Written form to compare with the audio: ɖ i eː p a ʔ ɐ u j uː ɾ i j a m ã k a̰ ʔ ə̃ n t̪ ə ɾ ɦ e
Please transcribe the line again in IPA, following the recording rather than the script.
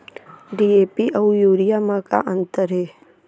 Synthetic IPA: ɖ i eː p i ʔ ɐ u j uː ɾ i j a m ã k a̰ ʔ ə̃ n t̪ ə ɾ ɦ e

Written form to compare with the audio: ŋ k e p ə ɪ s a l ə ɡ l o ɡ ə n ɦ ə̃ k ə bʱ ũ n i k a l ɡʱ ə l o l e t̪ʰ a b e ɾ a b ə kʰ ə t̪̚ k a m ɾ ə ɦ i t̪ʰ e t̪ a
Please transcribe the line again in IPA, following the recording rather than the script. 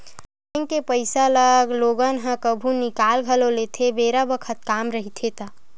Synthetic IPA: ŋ k e p ə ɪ s a l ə ɡ l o ɡ ə n ɦ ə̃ k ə bʱ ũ n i k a l ɡʱ ə l o l e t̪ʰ e b e ɾ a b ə kʰ ə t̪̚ k a m ɾ ə ɦ i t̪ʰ e t̪ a

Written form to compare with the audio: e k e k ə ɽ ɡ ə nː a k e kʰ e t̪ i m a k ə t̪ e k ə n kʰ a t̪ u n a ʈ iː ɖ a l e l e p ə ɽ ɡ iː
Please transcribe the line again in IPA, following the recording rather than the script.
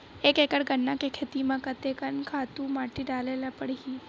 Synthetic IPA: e k e k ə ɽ ɡ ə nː a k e kʰ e t̪ i m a k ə t̪ e k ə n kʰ a t̪ u m a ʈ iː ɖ a l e l a p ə ɽ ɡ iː

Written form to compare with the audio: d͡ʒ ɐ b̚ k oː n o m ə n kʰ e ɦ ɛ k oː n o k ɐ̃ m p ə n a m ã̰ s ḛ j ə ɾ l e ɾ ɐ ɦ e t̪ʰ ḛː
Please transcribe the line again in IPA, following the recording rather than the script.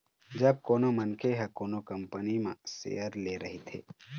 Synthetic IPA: d͡ʒ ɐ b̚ k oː n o m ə n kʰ e ɦ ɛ k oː n o k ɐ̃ m p ə n i m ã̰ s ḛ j ə ɾ l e ɾ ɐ ɦ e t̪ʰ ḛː

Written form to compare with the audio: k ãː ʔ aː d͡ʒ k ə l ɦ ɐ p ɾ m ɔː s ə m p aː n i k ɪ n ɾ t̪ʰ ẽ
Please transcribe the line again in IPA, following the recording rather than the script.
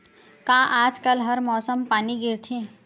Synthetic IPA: k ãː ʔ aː d͡ʒ k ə l ɦ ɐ ɾ m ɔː s ə m p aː n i ɡ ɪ ɾ t̪ʰ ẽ

